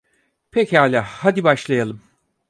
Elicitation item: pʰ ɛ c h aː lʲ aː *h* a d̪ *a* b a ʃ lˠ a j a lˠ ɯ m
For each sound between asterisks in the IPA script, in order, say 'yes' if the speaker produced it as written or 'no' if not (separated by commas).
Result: yes, no